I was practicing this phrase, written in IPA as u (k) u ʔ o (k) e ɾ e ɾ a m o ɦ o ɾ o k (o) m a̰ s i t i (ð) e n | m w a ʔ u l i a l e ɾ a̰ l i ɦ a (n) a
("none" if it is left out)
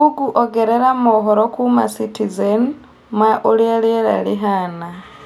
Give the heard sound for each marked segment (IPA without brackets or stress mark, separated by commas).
ɡ, ɡ, u, z, n